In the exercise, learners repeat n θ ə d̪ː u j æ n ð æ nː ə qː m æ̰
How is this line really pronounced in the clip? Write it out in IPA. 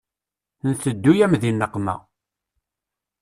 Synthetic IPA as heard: n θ ə d̪ː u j æ m ð i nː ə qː m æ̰